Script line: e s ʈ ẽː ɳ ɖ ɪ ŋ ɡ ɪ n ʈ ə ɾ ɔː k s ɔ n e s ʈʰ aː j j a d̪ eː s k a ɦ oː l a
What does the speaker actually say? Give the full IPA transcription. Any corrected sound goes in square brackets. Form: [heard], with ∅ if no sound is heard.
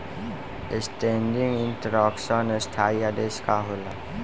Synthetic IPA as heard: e s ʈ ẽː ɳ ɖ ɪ ŋ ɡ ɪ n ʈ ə ɾ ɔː k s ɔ n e s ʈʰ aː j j a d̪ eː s k a ɦ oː l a